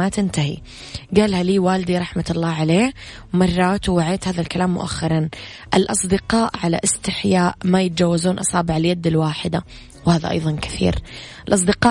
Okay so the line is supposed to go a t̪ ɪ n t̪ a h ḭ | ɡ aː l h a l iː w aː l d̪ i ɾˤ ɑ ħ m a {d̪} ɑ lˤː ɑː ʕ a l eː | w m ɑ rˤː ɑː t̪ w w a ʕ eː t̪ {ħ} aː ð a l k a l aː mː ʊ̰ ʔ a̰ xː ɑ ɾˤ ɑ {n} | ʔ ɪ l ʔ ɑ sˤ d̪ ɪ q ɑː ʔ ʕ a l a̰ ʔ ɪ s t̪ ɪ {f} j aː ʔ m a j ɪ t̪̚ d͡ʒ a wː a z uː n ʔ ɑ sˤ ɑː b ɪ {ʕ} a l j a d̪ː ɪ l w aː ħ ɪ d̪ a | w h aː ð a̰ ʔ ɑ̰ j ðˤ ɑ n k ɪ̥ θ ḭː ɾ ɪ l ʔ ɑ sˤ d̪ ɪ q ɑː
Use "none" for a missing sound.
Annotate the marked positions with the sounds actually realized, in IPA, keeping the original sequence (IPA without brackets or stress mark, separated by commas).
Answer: t̪, h, n, ħ, ʕ